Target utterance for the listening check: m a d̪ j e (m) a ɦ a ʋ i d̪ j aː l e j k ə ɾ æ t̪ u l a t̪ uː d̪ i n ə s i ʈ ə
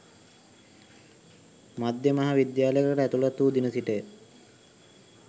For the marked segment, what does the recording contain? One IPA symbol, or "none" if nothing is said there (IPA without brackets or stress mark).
m